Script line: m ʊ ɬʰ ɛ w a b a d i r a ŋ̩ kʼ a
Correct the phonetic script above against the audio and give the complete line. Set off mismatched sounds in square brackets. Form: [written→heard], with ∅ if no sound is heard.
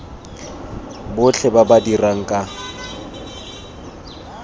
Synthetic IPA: [m→b] ʊ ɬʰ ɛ [w→b] a b a d i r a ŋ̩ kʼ a